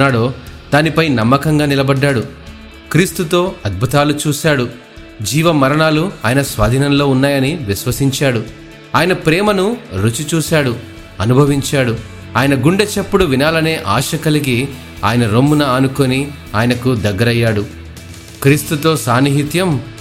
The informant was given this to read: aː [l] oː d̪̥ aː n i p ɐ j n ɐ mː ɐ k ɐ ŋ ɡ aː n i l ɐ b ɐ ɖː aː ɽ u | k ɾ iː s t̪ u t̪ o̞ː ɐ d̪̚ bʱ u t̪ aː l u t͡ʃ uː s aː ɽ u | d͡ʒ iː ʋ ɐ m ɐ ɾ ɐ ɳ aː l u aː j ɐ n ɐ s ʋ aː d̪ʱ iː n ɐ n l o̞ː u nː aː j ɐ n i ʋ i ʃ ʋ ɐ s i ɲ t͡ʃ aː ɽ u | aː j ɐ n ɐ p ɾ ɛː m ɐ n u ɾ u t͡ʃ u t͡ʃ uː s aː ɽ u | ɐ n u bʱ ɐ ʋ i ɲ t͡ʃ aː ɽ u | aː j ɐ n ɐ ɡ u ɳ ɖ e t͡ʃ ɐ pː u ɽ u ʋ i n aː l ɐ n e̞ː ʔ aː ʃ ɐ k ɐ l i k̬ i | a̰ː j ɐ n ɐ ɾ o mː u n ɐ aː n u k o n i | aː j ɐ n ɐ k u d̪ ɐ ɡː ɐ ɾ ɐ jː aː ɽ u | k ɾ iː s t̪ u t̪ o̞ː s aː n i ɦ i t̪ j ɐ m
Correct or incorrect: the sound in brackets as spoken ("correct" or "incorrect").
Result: incorrect